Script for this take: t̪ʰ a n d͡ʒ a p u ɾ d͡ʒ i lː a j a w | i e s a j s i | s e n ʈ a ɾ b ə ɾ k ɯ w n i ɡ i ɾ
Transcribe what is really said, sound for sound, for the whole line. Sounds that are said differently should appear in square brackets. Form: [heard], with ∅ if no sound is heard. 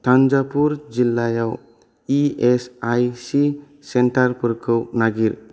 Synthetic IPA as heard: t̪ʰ a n d͡ʒ a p u ɾ d͡ʒ i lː a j a w | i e s a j s i | s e n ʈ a ɾ [p] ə ɾ [kʰ] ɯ w n [a] ɡ i ɾ